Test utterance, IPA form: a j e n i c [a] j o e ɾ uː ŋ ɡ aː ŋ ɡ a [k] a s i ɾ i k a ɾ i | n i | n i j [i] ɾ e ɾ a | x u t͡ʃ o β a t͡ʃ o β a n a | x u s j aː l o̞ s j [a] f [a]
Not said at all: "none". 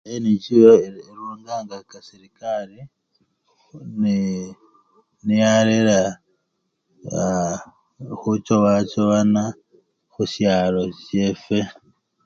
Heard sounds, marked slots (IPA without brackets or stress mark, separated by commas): i, k, a, e, e